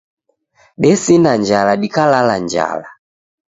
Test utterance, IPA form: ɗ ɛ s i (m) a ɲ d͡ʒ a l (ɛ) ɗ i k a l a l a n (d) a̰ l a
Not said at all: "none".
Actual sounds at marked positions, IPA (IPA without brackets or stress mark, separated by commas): n, a, d͡ʒ